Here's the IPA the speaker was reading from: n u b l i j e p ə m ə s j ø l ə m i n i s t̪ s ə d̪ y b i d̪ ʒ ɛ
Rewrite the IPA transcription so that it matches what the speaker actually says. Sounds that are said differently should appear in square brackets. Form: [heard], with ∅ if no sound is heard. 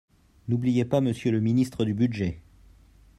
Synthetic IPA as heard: n u b l i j e p [a] m ə s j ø l ə m i n i s t̪ [χ] ə d̪ y b [y] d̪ ʒ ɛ

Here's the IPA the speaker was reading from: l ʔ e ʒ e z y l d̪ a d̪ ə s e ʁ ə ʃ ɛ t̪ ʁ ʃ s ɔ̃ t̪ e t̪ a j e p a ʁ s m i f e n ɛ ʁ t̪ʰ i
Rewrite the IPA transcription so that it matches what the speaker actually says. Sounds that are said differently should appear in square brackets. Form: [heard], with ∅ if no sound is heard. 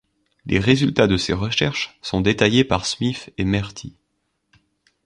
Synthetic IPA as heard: l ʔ e [ʁ] e z y l [t̪] a d̪ ə s e ʁ ə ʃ ɛ [∅] ʁ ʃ s ɔ̃ [d̪] e t̪ a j e p a ʁ s m i f e [m] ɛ ʁ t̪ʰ i

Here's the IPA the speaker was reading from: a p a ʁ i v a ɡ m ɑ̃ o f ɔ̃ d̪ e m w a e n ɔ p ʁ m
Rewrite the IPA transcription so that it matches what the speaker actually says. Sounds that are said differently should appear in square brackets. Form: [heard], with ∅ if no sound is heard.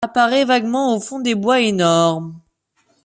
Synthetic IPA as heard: a p a ʁ [ɛ] v a ɡ m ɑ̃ o f ɔ̃ d̪ e [b] w a e n ɔ [∅] ʁ m

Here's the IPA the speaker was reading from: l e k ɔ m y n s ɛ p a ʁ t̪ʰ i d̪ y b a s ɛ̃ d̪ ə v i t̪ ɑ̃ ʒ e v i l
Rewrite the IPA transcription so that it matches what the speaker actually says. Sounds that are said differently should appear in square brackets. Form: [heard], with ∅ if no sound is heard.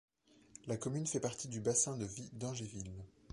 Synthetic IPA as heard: l [a] k ɔ m y n [f] ɛ p a ʁ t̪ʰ i d̪ y b a s ɛ̃ d̪ ə v i [d̪] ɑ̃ ʒ e v i l

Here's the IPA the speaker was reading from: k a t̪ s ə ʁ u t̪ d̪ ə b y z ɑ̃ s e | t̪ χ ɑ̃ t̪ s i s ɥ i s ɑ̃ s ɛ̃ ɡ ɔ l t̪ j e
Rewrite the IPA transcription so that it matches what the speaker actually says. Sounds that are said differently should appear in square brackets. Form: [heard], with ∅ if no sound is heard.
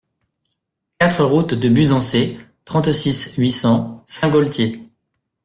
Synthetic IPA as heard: k a t̪ [χ] ə ʁ u t̪ d̪ ə b y z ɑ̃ s e | t̪ χ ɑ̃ t̪ s i s ɥ i s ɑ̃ s ɛ̃ ɡ ɔ l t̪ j e

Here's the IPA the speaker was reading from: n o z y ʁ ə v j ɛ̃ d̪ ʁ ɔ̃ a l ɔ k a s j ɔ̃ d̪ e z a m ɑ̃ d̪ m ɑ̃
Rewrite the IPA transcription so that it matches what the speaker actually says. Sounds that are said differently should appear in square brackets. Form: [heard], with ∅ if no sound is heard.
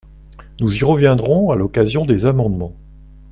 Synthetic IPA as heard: n [u] z [i] ʁ ə v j ɛ̃ d̪ ʁ ɔ̃ a l ɔ k a [z] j ɔ̃ d̪ e z a m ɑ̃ d̪ m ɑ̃

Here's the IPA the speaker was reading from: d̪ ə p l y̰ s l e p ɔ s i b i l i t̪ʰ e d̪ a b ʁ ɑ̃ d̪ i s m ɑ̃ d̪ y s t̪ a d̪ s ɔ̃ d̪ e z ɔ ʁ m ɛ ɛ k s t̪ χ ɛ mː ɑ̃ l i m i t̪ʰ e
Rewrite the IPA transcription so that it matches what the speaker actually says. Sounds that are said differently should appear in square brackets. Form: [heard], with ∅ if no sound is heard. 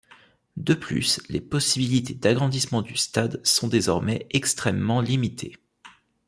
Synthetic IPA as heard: d̪ ə p l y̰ s l e p ɔ s i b i l i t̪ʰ e d̪ a [ɡ] ʁ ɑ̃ d̪ i s m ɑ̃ d̪ y s t̪ a d̪ s ɔ̃ d̪ e z ɔ ʁ m ɛ ɛ k s t̪ χ ɛ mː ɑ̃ l i m i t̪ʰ e

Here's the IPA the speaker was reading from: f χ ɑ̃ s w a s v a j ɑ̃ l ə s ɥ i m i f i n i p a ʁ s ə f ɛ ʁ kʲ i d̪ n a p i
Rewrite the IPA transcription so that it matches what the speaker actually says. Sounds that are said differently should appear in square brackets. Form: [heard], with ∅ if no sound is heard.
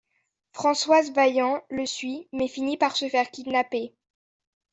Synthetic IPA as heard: f χ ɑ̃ s w a [z] v a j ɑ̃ l ə s ɥ i m [ɛ] f i n i p a ʁ s ə f ɛ ʁ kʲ i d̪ n a p [e]

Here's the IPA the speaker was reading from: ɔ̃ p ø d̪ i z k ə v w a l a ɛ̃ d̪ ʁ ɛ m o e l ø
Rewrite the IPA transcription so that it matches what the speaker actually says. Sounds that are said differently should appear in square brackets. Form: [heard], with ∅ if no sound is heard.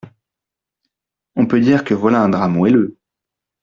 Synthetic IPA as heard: ɔ̃ p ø d̪ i [ʁ] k ə v w a l a ɛ̃ d̪ ʁ [a] m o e l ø

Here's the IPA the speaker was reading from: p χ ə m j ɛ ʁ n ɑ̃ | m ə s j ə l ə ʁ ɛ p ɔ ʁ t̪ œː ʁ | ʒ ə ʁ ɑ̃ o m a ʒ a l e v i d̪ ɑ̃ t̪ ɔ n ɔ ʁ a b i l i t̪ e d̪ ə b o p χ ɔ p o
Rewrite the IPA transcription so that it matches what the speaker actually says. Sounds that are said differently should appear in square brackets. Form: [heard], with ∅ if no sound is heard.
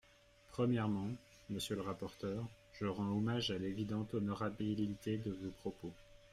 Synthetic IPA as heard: p χ ə m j ɛ ʁ [m] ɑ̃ | m ə s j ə l ə ʁ [a] p ɔ ʁ t̪ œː ʁ | ʒ ə ʁ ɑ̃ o m a ʒ a l e v i d̪ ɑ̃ t̪ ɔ n ɔ ʁ a b i l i t̪ e d̪ ə [v] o p χ ɔ p o

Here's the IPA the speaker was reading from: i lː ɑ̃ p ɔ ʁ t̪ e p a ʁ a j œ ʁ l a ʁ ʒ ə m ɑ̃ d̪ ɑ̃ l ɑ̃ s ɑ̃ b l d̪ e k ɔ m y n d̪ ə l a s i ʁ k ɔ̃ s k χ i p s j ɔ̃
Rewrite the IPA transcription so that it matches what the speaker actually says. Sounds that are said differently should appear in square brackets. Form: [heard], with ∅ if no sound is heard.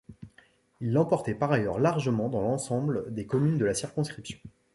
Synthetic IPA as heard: i lː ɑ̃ p ɔ ʁ t̪ [ɛ] p a ʁ a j œ ʁ l a ʁ ʒ ə m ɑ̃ d̪ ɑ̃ l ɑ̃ s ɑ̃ b l d̪ e k ɔ m y n d̪ ə l a s i ʁ k ɔ̃ s k χ i p s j ɔ̃

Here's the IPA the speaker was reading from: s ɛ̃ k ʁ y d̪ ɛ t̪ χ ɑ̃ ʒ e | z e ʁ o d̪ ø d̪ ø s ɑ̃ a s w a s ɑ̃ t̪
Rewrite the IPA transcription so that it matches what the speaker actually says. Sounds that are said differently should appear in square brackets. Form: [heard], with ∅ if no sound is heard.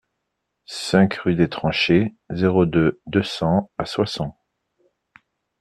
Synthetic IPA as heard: s ɛ̃ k ʁ y d̪ [e] t̪ χ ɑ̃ [ʃ] e | z e ʁ o d̪ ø d̪ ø s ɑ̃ a s w a s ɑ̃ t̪

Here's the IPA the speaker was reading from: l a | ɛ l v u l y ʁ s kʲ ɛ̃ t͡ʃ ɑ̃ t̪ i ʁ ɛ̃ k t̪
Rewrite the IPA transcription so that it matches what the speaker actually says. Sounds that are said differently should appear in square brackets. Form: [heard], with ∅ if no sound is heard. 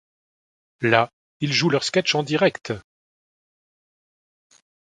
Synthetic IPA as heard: l a | [i] l [ʒ] u l [œ] ʁ s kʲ [ɛ] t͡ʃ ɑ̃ [d̪] i ʁ [ɛ] k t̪

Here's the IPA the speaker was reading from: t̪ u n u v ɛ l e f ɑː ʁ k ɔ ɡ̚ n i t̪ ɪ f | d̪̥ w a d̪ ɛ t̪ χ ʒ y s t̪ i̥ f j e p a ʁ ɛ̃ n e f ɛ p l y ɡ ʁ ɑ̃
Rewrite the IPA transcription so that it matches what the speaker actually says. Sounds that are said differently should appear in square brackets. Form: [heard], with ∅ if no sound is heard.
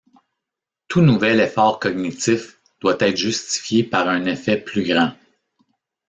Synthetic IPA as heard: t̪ u n u v ɛ l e f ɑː ʁ k ɔ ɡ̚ n i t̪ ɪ f | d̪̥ w a [t̪] ɛ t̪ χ ʒ y s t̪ i̥ f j e p a ʁ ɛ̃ n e f ɛ p l y ɡ ʁ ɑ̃

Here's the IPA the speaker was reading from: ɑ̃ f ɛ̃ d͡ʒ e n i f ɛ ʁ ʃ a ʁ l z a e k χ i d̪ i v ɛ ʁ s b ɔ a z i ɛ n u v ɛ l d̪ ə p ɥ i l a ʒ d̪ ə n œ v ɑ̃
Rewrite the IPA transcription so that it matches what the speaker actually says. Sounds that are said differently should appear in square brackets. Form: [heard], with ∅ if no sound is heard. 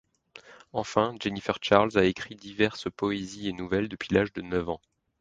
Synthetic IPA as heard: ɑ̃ f ɛ̃ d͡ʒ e n i f ɛ ʁ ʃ a ʁ l z a e k χ i d̪ i v ɛ ʁ s [p] ɔ [e] z i [e] n u v ɛ l d̪ ə p ɥ i l a ʒ d̪ ə n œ v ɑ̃

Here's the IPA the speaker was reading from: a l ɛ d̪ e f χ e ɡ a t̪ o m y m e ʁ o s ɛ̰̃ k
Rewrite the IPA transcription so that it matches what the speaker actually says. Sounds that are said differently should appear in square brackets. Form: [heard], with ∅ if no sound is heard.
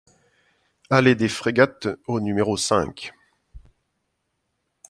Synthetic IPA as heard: a l [e] d̪ e f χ e ɡ a t̪ o [n] y m e ʁ o s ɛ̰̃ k

